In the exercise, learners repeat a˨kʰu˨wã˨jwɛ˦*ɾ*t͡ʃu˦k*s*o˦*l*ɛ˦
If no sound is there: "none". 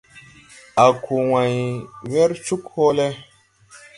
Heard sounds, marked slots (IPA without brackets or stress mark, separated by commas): ɾ, h, l